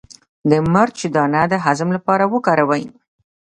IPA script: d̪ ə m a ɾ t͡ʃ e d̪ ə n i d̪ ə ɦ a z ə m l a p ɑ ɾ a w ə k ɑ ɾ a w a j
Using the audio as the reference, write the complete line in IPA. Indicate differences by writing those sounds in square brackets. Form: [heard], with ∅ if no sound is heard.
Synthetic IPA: d̪ ə m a ɾ t͡ʃ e d̪ [ɑ] n [a] d̪ ə ɦ a z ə m l a p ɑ ɾ a w ə k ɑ ɾ a w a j